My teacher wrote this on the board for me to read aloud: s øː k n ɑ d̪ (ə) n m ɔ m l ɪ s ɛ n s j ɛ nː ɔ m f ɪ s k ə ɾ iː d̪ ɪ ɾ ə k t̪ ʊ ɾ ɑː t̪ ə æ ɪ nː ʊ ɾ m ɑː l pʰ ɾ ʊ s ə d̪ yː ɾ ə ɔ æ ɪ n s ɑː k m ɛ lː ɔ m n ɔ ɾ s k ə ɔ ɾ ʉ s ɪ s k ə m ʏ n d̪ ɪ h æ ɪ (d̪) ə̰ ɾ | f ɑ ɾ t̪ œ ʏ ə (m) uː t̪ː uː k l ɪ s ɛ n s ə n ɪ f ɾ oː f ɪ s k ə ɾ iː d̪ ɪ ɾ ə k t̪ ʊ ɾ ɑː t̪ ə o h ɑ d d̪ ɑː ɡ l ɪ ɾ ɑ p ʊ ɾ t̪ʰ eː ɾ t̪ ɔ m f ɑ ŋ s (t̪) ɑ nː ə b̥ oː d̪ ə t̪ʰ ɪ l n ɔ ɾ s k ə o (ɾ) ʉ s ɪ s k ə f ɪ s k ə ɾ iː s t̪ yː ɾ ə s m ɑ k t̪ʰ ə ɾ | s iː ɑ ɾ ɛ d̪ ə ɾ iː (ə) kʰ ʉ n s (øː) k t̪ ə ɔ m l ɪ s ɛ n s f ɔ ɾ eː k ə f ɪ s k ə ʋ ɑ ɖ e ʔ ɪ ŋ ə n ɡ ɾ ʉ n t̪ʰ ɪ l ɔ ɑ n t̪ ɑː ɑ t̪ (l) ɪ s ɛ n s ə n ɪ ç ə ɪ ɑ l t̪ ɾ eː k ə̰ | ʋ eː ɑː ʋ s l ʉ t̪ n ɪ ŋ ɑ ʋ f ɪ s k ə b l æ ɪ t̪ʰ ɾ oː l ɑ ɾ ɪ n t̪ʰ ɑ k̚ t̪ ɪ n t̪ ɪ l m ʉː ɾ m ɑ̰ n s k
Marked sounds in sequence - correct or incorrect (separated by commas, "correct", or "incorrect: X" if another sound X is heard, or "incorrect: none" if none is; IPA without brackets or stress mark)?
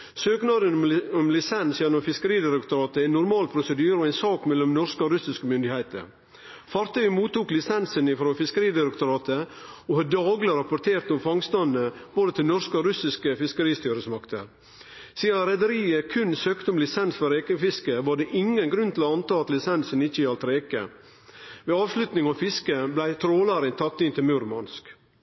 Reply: correct, incorrect: t̪, correct, correct, correct, correct, correct, correct